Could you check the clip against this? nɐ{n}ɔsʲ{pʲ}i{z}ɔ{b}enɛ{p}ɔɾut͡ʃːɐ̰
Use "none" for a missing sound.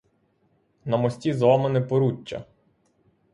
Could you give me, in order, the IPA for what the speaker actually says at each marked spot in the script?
m, tʲ, z, m, p

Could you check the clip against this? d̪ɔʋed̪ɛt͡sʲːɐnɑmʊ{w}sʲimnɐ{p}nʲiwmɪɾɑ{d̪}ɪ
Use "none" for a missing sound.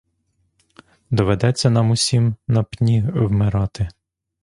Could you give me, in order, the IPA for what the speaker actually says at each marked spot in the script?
none, p, t̪

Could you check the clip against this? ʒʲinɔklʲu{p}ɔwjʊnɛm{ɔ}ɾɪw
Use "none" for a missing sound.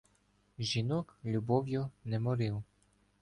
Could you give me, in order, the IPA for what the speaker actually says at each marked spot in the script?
b, ɔ

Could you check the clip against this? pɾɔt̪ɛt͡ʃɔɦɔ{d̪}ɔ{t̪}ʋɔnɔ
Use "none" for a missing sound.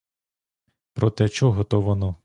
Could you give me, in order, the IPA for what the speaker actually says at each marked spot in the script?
t̪, none

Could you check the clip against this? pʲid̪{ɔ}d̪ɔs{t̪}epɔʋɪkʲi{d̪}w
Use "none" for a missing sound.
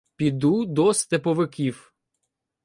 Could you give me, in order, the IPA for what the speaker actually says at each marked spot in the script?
u, t̪, none

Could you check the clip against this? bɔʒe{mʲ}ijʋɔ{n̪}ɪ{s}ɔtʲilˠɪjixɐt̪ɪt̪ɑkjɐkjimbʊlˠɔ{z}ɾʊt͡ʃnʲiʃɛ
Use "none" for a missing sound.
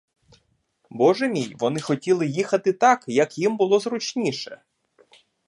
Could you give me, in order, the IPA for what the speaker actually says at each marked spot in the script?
mʲ, n̪, x, z

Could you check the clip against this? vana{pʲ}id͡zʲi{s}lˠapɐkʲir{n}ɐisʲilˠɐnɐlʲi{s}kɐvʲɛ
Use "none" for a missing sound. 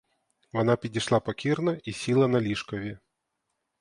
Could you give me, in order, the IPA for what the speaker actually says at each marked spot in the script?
pʲ, ʂ, n, ʂ

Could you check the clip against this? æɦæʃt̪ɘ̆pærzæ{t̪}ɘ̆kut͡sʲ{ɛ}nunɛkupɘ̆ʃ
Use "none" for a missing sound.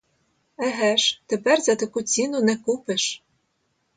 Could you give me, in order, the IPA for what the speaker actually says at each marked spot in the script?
t̪, i

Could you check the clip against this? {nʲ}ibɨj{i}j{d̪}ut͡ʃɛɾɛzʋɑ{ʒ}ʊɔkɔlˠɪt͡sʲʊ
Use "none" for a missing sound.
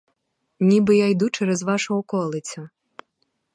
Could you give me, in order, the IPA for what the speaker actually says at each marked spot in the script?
nʲ, a, d̪, ʃ

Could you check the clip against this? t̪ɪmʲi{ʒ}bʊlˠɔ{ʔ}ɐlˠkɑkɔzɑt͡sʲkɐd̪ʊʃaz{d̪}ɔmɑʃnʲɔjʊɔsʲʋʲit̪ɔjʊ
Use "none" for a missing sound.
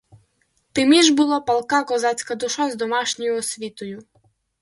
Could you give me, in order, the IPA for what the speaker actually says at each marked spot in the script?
ʒ, p, d̪

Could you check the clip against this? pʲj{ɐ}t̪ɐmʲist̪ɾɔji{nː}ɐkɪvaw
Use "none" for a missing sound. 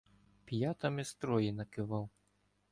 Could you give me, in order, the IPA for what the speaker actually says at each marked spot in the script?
a, n

